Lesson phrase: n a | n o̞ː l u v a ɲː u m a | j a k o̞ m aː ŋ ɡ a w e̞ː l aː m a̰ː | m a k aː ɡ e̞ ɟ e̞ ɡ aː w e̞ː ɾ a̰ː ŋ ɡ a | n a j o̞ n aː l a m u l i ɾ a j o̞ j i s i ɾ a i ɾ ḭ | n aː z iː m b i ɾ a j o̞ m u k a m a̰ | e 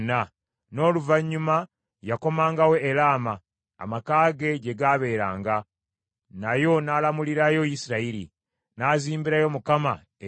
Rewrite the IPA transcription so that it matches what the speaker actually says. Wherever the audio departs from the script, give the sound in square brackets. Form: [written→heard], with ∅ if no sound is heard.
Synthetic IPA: n a | n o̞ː l u v a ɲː u m a | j a k o̞ m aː ŋ ɡ a w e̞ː l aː m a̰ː | m a k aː ɡ e̞ ɟ e̞ ɡ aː [w→β] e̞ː ɾ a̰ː ŋ ɡ a | n a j o̞ n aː l a m u l i ɾ a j o̞ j i s i ɾ a i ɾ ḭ | n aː z iː m b i ɾ a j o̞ m u k a m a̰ | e